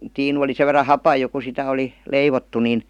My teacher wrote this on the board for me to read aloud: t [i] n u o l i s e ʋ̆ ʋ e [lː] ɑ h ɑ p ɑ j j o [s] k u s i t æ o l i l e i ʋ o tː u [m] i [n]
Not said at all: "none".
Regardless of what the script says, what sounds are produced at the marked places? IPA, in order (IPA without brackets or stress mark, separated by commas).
iː, rː, none, n, n